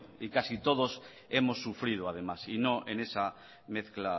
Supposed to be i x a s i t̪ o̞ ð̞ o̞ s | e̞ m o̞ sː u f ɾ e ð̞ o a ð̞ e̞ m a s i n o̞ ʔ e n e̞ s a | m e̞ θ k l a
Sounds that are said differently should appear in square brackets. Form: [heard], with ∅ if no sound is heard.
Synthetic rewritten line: i [k] a s i t̪ o̞ ð̞ o̞ s | e̞ m o̞ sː u f ɾ [i] ð̞ o a ð̞ e̞ m a s i n o̞ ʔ e n e̞ s a | m e̞ θ k l a

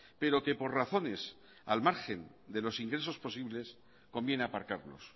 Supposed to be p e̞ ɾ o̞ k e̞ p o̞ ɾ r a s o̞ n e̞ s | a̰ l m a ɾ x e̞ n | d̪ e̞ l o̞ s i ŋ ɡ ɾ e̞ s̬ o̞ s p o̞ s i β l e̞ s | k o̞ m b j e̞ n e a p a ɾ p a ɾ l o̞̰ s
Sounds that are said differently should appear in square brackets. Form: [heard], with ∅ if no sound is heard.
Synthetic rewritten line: p e̞ ɾ o̞ k e̞ p o̞ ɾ r a [θ] o̞ n e̞ s | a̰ l m a ɾ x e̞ n | d̪ e̞ l o̞ s i ŋ ɡ ɾ e̞ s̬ o̞ s p o̞ s i β l e̞ s | k o̞ m b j e̞ n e a p a ɾ [k] a ɾ l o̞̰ s

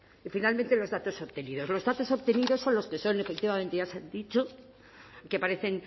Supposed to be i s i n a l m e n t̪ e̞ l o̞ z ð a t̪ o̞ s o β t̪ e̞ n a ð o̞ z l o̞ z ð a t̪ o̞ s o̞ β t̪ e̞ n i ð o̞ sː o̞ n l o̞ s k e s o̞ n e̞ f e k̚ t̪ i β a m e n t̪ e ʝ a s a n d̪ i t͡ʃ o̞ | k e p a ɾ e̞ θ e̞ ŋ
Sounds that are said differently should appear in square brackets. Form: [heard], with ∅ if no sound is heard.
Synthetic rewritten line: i [f] i n a l m [ẽ] n t̪ e̞ l o̞ z ð a t̪ o̞ s o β t̪ e̞ n [i] ð o̞ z l o̞ z ð a t̪ o̞ s o̞ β t̪ e̞ n i ð o̞ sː o̞ n l o̞ s k e s o̞ n e̞ f e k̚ t̪ i β a m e n t̪ e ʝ a s a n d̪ i t͡ʃ o̞ | k e p a ɾ e̞ θ e̞ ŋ

